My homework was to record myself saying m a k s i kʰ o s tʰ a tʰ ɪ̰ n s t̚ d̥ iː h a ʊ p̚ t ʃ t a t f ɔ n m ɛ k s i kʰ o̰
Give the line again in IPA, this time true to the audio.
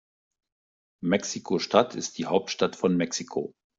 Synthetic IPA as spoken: m ɛ k s i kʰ o ʃ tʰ a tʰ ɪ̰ s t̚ d̥ iː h a ʊ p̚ t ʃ t a t f ɔ n m ɛ k s i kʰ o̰

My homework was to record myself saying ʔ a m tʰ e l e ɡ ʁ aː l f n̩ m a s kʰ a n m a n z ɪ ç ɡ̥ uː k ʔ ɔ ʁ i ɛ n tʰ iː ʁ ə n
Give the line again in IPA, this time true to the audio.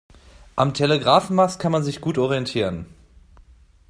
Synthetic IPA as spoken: ʔ a m tʰ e l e ɡ ʁ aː f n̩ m a s kʰ a n m a n z ɪ ç ɡ̥ uː t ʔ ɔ ʁ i ɛ n tʰ iː ʁ ə n

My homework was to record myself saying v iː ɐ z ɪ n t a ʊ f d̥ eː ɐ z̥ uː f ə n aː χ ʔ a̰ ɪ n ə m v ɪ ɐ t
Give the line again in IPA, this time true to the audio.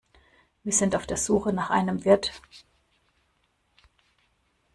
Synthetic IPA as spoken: v iː ɐ z ɪ n t a ʊ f d̥ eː ɐ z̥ uː x ə n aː χ ʔ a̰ ɪ n ə m v ɪ ɐ t

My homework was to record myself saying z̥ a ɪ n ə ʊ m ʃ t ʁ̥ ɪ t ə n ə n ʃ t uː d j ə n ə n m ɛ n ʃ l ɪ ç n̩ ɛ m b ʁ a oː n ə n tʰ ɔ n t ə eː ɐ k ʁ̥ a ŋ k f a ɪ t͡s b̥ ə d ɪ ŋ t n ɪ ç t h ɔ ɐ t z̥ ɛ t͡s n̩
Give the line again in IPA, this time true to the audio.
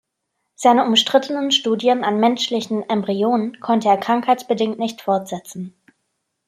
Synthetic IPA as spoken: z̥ a ɪ n ə ʊ m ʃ t ʁ̥ ɪ t ə n ə n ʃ t uː d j ə n a n m ɛ n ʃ l ɪ ç n̩ ɛ m b ʁ i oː n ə n kʰ ɔ n t ə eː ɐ k ʁ̥ a ŋ k h a ɪ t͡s b̥ ə d ɪ ŋ t n ɪ ç t f ɔ ɐ t z̥ ɛ t͡s n̩

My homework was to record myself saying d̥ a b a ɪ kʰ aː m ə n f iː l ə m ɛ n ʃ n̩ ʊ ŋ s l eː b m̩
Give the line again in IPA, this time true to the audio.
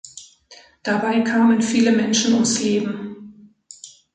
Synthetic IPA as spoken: d̥ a b a ɪ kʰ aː m ə n f iː l ə m ɛ n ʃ n̩ ʊ m s l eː b m̩

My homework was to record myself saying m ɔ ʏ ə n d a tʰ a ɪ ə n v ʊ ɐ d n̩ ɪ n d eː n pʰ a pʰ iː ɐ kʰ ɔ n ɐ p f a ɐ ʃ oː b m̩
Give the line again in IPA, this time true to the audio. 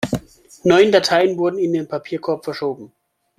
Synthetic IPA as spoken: n ɔ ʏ ə n d a tʰ a ɪ ə n v ʊ ɐ d n̩ ɪ n d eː n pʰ a pʰ iː ɐ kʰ ɔ ɐ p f ɛ ɐ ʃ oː b m̩

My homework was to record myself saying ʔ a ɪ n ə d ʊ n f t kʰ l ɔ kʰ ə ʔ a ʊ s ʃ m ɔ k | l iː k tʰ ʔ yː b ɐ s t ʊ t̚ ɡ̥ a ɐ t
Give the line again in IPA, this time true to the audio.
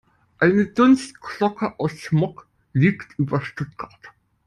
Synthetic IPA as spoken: ʔ a ɪ n ə d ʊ n s t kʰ l ɔ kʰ ə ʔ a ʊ s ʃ m ɔ k | l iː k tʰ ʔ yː b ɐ ʃ t ʊ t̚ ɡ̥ a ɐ t

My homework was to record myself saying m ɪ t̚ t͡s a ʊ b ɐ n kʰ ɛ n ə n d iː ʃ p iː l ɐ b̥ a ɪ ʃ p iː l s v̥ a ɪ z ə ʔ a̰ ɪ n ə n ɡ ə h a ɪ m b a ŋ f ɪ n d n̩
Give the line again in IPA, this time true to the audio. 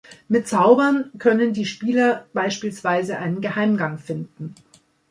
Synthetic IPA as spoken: m ɪ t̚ t͡s a ʊ b ɐ n kʰ œ n ə n d iː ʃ p iː l ɐ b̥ a ɪ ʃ p iː l s v̥ a ɪ z ə ʔ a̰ ɪ n ə n ɡ ə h a ɪ m ɡ a ŋ f ɪ n d n̩

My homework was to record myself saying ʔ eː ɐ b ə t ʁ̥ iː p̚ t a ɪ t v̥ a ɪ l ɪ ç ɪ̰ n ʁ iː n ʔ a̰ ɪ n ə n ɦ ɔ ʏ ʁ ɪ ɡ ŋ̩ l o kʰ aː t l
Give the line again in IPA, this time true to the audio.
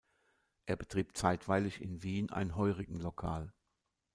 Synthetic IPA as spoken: ʔ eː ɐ b ə t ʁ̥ iː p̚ t͡s a ɪ t v̥ a ɪ l ɪ ç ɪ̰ n v iː n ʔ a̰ ɪ n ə n ɦ ɔ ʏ ʁ ɪ ɡ ŋ̩ l o kʰ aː l

